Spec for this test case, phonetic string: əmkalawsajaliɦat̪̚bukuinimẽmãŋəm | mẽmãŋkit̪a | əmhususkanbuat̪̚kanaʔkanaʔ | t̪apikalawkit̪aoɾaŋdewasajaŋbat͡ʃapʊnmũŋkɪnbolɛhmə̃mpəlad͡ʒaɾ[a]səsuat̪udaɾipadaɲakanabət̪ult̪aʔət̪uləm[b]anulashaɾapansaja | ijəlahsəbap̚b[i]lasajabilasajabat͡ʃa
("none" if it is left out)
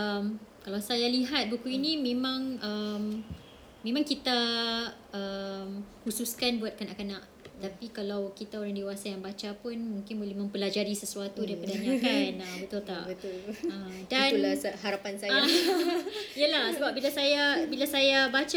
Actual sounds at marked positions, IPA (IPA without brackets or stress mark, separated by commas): i, d, i